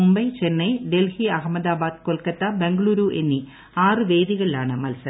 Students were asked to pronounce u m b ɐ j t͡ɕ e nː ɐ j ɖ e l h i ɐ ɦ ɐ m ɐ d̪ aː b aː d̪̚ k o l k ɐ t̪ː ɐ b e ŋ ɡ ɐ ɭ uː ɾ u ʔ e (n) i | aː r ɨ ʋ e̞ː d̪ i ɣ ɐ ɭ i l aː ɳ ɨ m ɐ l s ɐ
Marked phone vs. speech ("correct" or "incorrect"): incorrect